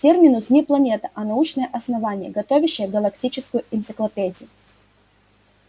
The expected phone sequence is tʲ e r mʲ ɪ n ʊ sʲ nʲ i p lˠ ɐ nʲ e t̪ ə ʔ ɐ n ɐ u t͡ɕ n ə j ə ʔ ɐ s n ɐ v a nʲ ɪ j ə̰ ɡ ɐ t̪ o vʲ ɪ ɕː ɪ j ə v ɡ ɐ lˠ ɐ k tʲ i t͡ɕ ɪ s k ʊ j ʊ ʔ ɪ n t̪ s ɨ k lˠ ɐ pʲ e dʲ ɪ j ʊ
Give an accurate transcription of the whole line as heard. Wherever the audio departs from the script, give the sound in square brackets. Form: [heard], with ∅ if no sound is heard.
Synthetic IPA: tʲ e r mʲ ɪ n ʊ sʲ nʲ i p lˠ ɐ nʲ e t̪ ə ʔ ɐ n ɐ u t͡ɕ n ə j ə ʔ ɐ s n ɐ v a nʲ ɪ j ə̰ ɡ ɐ t̪ o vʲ ɪ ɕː ɪ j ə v ɡ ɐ lˠ ɐ k tʲ i t͡ɕ ɪ s k ʊ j ʊ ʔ ɪ n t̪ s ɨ k lˠ ɐ pʲ e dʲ ɪ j ʊ